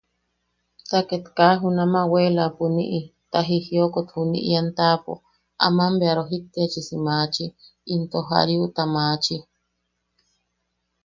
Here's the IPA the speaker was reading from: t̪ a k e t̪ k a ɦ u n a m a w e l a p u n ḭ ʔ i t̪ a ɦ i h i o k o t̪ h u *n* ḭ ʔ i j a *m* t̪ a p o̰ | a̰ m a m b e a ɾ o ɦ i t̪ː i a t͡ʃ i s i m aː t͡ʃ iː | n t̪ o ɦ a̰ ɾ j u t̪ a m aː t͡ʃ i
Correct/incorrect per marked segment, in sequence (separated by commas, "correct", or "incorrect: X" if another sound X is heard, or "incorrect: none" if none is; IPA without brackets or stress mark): correct, incorrect: n